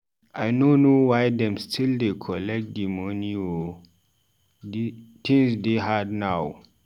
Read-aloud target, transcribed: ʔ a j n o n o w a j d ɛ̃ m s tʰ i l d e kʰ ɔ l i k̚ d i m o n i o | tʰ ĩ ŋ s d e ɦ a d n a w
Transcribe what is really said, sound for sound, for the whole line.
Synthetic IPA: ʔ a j n o n o w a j d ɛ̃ m s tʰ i l d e kʰ ɔ l ɛ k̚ d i m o n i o | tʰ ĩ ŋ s d e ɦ a d n a w